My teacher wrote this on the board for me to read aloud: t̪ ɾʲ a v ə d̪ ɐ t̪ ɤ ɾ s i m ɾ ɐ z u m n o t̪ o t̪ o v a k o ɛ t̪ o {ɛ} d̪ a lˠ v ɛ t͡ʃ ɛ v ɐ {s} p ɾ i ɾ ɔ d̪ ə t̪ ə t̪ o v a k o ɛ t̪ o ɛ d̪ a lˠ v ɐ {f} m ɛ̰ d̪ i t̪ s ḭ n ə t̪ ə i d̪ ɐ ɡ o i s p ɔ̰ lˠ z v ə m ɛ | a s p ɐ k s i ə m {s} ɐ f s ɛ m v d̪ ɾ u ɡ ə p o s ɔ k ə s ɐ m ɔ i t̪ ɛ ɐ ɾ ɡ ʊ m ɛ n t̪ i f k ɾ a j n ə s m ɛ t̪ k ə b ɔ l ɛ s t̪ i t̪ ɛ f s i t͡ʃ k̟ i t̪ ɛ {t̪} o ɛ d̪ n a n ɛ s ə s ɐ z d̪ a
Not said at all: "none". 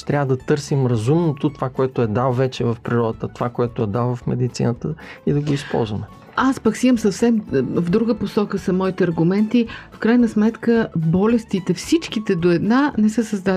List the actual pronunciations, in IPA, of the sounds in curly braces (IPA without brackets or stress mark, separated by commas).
ɛ, f, f, s, d̪